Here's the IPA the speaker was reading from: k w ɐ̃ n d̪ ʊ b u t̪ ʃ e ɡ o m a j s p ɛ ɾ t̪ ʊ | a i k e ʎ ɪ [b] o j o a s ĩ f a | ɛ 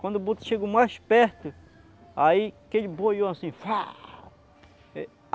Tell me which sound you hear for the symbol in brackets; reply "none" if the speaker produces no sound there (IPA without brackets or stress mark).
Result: b